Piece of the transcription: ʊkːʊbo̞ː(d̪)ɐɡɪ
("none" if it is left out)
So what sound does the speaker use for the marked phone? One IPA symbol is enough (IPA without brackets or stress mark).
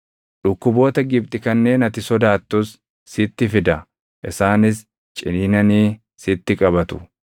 t̪